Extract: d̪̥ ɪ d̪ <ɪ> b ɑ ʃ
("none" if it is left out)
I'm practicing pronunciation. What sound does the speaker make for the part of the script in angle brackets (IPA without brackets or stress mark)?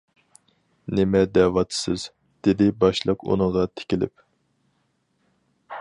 ɪ